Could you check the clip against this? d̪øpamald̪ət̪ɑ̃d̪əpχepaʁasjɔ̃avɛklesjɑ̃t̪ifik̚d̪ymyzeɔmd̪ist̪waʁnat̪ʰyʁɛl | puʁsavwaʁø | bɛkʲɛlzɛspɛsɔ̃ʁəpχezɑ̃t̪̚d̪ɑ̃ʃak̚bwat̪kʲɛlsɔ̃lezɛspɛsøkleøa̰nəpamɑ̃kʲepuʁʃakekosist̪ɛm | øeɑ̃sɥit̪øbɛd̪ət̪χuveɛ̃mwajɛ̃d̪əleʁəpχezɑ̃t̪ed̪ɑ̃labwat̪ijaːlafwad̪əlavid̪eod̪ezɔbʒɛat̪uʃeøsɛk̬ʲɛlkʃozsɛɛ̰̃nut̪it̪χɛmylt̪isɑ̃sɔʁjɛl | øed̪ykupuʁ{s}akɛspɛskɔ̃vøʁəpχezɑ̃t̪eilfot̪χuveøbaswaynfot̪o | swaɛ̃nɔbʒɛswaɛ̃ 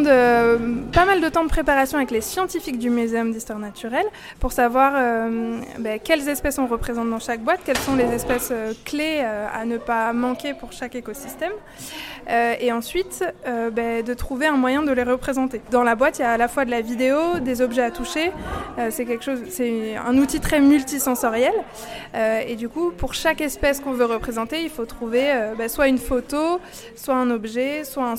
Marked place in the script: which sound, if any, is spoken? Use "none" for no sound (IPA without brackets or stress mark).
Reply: ʃ